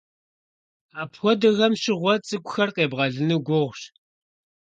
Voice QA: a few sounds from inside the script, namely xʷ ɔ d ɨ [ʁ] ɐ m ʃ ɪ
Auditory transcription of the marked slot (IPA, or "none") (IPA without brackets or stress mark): ɣ